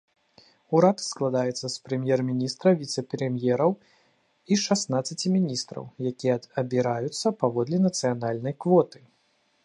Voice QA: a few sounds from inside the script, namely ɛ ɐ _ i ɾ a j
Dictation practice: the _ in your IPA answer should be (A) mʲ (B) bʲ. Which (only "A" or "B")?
B